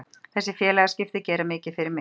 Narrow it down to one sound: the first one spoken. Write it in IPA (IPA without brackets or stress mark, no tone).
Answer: θ